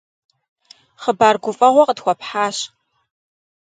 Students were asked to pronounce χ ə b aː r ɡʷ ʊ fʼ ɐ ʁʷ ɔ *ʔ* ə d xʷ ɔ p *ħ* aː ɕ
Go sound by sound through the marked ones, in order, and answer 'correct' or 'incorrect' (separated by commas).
incorrect, correct